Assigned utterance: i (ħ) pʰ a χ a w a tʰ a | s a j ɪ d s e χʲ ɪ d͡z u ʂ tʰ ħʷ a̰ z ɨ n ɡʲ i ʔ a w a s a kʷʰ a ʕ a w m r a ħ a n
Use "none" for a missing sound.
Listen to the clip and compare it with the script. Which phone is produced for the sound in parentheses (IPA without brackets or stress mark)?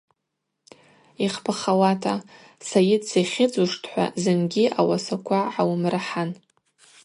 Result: χ